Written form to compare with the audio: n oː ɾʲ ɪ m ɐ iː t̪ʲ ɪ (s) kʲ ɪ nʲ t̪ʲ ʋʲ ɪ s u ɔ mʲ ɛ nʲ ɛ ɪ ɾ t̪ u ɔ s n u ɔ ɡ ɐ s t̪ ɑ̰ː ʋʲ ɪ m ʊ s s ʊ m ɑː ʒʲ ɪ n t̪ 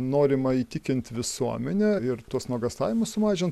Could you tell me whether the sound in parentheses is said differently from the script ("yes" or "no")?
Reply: yes